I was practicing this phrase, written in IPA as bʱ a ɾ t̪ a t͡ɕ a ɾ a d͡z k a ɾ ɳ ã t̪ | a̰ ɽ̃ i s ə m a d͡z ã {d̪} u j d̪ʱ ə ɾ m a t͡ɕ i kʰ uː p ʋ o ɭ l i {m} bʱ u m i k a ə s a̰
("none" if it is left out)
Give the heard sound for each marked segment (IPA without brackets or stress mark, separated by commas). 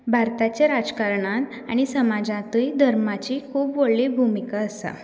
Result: t̪, none